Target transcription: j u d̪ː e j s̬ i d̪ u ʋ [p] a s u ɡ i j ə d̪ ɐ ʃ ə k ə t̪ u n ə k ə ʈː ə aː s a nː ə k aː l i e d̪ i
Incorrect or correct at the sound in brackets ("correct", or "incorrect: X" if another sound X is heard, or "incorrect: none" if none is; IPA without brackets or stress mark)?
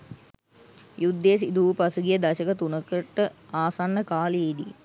correct